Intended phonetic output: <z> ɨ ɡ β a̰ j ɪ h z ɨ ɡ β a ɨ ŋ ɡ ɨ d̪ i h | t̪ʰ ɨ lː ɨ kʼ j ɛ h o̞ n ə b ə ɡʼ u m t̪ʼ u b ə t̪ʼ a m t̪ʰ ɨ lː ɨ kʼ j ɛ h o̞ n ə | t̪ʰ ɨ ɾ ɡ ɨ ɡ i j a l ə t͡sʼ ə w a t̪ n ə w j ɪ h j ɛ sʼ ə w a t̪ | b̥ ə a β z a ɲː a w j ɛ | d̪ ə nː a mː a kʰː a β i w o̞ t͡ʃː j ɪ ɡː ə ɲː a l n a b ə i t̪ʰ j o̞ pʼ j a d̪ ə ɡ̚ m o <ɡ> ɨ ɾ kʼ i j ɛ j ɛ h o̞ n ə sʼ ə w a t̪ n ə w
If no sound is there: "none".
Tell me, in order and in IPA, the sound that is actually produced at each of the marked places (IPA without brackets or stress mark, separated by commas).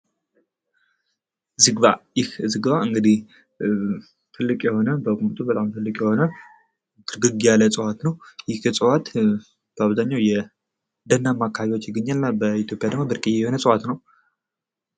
z, b